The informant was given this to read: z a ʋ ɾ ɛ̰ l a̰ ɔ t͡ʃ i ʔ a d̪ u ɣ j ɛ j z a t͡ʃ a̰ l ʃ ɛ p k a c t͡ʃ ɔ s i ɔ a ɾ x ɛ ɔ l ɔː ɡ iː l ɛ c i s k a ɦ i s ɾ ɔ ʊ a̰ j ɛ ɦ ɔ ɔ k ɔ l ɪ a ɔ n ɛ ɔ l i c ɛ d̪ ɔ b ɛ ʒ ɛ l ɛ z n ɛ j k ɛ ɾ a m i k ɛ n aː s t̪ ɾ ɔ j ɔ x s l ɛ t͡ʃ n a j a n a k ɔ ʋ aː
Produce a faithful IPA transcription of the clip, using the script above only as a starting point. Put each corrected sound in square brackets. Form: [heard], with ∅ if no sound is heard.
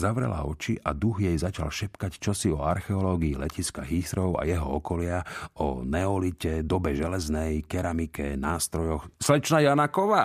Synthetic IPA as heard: z a ʋ ɾ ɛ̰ l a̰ ɔ t͡ʃ i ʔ a d̪ u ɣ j ɛ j z a t͡ʃ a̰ l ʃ ɛ p k a c t͡ʃ ɔ s i ɔ a ɾ x ɛ ɔ l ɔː ɡ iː l ɛ c i s k a ɦ i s ɾ ɔ ʊ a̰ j ɛ ɦ ɔ ɔ k ɔ l ɪ a ɔ n ɛ ɔ l i c ɛ d̪ ɔ b ɛ ʒ ɛ l ɛ z n ɛ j k ɛ ɾ a m i k ɛ n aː s t̪ ɾ ɔ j ɔ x s l ɛ t͡ʃ n a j a n a k ɔ ʋ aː